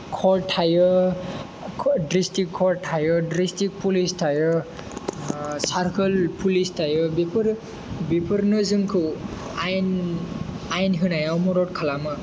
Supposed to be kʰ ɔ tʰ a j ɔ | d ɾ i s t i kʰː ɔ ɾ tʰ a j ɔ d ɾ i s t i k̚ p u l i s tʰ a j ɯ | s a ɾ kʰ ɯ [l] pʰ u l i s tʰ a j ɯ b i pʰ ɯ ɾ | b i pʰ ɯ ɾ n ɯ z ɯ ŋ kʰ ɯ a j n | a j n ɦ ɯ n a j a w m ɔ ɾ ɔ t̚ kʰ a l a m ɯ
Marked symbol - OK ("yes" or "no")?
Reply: yes